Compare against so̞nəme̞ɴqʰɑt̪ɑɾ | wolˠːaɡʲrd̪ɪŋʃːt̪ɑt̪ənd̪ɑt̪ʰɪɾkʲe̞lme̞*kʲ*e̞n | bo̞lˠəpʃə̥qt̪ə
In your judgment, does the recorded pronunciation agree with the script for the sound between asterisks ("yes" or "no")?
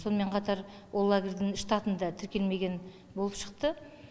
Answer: no